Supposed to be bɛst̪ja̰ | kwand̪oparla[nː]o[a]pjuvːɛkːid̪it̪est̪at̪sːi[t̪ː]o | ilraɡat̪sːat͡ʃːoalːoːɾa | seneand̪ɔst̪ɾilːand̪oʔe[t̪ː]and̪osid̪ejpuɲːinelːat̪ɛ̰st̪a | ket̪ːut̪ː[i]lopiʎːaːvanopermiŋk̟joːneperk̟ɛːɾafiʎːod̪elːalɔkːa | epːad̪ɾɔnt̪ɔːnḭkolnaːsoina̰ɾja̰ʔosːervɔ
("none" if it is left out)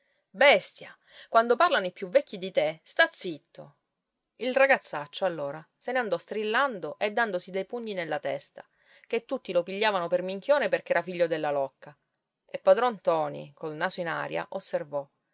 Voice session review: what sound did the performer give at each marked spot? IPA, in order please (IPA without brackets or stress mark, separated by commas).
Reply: n, i, t̪ː, d̪ː, i